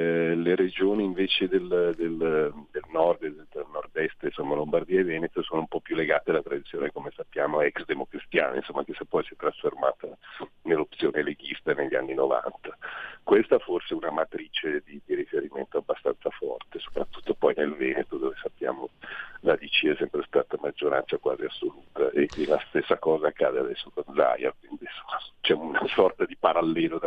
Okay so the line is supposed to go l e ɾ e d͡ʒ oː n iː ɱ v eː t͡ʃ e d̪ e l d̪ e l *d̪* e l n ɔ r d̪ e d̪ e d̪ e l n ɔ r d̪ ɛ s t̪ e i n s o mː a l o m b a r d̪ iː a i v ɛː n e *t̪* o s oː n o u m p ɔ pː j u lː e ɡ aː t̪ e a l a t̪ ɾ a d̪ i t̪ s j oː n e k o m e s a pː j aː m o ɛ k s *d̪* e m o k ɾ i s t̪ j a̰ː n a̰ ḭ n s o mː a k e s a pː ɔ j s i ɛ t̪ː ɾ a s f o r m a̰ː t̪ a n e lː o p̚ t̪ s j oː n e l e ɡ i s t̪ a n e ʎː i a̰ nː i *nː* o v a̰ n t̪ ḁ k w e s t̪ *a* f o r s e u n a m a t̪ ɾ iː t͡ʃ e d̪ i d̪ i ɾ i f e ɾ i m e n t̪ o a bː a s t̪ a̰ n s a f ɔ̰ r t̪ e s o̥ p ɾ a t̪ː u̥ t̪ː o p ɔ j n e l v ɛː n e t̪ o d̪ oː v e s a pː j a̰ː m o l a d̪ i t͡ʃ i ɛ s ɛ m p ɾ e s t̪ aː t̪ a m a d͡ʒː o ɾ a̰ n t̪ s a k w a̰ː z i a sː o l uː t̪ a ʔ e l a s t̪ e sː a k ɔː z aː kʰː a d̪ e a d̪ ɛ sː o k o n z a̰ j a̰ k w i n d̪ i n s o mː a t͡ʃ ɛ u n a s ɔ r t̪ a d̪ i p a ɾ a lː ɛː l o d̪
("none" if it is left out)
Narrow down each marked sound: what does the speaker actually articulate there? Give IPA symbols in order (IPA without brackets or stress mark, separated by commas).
d̪, t̪, d̪, n, a